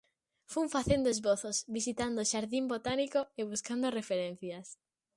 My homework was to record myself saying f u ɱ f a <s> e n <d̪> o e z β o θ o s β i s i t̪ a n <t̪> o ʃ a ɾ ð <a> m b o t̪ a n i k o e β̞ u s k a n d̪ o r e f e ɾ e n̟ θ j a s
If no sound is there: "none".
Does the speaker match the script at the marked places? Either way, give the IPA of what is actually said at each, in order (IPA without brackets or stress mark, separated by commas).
θ, d̪, d̪, i